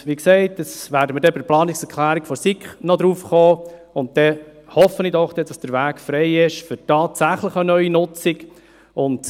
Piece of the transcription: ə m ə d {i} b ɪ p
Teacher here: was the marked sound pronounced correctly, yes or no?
no